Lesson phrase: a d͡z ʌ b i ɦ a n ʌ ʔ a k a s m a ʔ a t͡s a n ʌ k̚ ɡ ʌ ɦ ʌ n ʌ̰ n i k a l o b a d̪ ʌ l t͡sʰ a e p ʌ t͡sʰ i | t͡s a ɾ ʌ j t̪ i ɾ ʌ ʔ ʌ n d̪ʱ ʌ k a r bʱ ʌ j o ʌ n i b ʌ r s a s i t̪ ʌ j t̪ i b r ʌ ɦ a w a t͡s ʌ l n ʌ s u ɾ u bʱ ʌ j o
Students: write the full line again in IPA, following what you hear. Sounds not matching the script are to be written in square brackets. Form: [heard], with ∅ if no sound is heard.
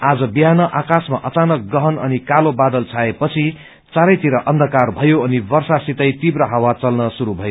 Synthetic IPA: a d͡z ʌ b i ɦ a n ʌ ʔ a k a s m a ʔ [ʌ] t͡s a n ʌ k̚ ɡ ʌ ɦ ʌ n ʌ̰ n i k a l o b a d̪ ʌ l t͡sʰ a e p ʌ t͡sʰ i | t͡s a ɾ ʌ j t̪ i ɾ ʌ ʔ ʌ n d̪ʱ ʌ k a r bʱ ʌ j o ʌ n i b ʌ r s a s i t̪ ʌ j t̪ i b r ʌ ɦ a w a t͡s ʌ l n ʌ s u ɾ u bʱ ʌ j o